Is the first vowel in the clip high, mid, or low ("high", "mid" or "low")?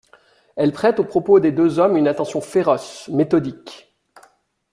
mid